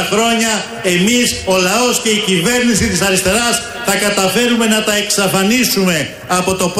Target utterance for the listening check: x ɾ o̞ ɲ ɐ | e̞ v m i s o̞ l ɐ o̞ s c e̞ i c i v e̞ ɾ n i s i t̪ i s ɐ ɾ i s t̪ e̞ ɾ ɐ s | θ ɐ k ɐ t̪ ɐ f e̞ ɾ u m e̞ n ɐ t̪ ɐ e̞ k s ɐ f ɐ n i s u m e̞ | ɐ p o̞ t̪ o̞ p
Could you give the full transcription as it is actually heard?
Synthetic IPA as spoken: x ɾ o̞ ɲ ɐ | e̞ m i s o̞ l ɐ o̞ s c e̞ i c i v e̞ ɾ n i s i t̪ i s ɐ ɾ i s t̪ e̞ ɾ ɐ s | θ ɐ k ɐ t̪ ɐ f e̞ ɾ u m e̞ n ɐ t̪ ɐ e̞ k s ɐ f ɐ n i s u m e̞ | ɐ p o̞ t̪ o̞ p